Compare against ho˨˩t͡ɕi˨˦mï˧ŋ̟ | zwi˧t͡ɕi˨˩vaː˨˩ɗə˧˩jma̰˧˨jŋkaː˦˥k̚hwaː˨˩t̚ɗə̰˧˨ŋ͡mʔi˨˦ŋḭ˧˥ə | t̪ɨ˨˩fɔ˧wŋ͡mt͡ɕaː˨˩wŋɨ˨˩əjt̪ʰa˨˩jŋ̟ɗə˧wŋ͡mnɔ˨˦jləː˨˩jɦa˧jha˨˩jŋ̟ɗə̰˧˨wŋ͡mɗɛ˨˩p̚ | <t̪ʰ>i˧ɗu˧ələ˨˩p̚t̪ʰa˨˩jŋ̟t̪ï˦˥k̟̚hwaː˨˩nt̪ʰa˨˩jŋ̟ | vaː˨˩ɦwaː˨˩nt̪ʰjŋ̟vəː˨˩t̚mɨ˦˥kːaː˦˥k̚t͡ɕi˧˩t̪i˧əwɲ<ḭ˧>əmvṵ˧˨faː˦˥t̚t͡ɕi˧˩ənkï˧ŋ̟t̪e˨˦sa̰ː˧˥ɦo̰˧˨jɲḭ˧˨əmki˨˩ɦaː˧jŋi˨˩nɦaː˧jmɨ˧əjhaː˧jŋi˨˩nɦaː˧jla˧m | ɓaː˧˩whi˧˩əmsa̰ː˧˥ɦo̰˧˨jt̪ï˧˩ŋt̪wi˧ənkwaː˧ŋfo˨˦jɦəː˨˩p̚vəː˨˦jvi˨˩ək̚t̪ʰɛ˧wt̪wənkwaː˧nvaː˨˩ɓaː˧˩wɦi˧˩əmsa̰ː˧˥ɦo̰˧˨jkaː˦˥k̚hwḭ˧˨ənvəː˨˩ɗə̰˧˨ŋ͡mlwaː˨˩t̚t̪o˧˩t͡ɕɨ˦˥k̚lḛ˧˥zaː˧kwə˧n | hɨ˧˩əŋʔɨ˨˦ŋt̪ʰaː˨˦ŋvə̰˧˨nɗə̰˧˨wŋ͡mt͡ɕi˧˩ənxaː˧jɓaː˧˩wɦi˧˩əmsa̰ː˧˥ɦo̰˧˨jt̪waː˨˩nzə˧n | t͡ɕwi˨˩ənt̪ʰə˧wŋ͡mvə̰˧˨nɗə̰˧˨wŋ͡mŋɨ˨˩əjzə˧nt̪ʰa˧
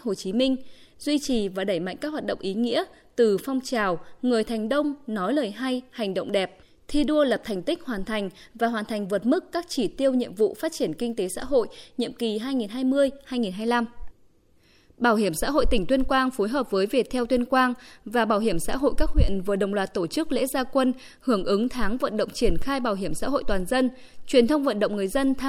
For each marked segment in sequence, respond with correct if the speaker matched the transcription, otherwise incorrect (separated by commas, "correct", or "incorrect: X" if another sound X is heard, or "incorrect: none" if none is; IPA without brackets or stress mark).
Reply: correct, correct